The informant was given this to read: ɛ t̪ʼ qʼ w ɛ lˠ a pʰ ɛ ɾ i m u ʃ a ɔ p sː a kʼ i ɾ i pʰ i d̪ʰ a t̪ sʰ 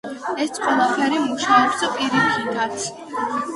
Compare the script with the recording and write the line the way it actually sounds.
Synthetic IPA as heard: ɛ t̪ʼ qʼ w ɛ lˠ a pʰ ɛ ɾ i m u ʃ a ɔ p s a pʼ i ɾ i kʰ i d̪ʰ a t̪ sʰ